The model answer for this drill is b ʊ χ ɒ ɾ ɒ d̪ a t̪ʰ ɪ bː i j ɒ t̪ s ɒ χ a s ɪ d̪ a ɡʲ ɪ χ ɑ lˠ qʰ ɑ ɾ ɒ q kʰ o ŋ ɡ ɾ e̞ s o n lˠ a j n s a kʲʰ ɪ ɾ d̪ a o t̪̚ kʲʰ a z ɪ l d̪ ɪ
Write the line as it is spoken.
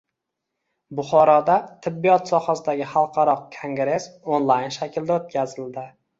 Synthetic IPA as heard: b ʊ χ ɒ ɾ ɒ d̪ a t̪ʰ ɪ bː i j ɒ t̪ s ɒ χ a s ɪ d̪ a ɡʲ ɪ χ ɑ lˠ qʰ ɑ ɾ ɒ q kʰ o ŋ ɡ ɾ e̞ s o n lˠ a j n ʃ a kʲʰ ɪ l d̪ a o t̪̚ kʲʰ a z ɪ l d̪ ɪ